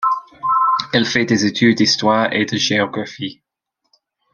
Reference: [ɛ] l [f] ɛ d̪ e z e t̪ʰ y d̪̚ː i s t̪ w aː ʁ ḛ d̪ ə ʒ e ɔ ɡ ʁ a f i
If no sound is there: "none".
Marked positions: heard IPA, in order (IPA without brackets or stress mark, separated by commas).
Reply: ɛ, f